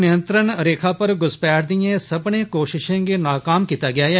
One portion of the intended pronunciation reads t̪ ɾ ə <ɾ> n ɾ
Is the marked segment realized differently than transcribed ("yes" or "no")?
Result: yes